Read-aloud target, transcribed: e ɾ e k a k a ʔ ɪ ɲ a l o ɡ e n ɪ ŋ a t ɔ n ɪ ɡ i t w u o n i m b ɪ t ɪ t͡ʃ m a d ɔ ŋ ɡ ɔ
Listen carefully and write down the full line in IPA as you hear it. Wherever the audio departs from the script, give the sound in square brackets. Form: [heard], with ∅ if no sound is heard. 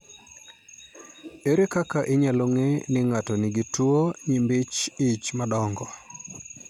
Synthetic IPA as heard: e ɾ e k a k a ʔ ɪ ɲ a l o [ŋ] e n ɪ ŋ a t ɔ n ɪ ɡ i t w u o [ɲ] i m b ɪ [t͡ʃ] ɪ t͡ʃ m a d ɔ ŋ ɡ ɔ